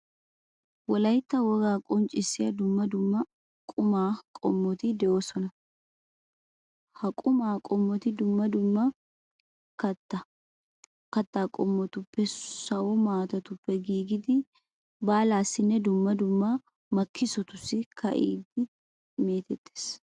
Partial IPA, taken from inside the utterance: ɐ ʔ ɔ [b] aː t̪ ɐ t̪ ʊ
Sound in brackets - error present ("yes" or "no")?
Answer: yes